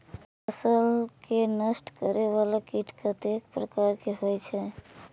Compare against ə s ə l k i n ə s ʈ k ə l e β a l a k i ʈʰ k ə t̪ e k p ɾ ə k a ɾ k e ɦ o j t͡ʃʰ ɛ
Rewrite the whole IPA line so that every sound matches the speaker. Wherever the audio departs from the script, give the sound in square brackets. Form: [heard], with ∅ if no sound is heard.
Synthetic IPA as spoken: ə s ə l k [e] n ə s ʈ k ə [ɾ] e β a l a k i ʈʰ k ə t̪ e k p ɾ ə k a ɾ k e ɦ o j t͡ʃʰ ɛ